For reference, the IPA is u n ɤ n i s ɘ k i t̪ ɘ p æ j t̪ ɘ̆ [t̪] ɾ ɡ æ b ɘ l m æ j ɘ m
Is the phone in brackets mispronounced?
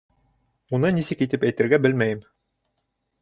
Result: yes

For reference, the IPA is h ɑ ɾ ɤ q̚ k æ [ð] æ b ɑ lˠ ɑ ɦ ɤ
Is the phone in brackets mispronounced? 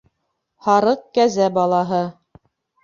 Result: yes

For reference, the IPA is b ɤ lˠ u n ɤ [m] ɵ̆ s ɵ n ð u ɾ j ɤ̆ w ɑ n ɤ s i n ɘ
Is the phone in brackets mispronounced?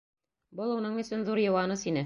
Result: yes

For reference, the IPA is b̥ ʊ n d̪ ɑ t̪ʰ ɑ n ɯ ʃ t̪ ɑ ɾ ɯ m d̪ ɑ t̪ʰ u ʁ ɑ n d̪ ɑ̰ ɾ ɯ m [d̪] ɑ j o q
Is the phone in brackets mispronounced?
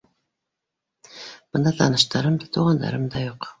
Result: no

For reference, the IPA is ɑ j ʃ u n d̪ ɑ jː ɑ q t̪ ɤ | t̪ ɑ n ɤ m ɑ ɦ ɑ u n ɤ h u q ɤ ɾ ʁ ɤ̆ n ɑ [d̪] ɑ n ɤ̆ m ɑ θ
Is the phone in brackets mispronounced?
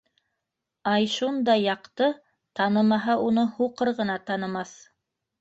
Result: yes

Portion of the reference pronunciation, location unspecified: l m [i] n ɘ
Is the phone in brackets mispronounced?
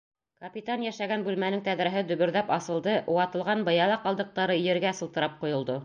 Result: yes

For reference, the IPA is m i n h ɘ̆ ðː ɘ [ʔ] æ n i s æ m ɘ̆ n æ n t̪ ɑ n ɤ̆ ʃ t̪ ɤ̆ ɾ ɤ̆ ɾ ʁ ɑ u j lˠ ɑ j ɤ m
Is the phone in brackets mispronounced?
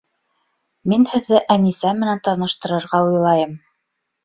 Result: no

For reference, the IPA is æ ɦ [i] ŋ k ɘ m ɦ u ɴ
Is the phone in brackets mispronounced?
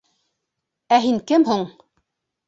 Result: no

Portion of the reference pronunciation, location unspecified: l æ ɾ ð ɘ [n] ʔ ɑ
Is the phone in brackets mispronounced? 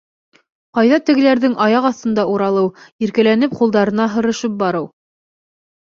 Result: yes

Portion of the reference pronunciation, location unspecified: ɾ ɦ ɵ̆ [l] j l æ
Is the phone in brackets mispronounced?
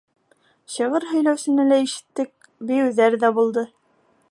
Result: yes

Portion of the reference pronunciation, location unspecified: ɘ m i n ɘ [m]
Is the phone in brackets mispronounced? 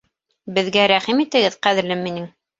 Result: yes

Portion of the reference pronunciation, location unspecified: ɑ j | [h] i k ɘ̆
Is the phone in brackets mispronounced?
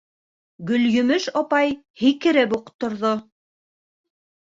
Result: no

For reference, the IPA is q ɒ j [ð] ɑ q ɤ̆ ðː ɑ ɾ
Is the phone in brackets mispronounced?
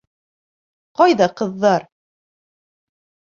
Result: no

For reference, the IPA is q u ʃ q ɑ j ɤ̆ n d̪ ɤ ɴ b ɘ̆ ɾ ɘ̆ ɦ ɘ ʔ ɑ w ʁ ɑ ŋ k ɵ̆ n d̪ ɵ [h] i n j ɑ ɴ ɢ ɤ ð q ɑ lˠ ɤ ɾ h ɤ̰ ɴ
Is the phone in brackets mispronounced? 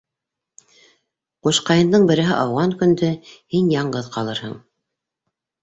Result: no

